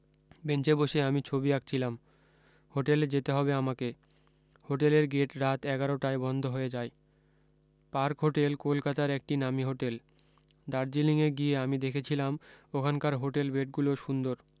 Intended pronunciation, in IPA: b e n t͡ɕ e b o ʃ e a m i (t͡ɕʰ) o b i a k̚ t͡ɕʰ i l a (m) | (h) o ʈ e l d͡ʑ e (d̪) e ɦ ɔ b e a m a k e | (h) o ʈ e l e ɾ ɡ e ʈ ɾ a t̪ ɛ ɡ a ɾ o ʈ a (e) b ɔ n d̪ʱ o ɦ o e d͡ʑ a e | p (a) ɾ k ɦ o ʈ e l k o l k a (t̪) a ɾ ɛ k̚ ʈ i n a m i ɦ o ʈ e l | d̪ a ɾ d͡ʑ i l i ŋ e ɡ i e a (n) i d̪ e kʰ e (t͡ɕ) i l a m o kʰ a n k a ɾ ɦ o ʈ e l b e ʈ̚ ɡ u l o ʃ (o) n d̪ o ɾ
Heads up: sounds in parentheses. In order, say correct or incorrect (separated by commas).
correct, correct, correct, incorrect, correct, correct, correct, correct, incorrect, incorrect, incorrect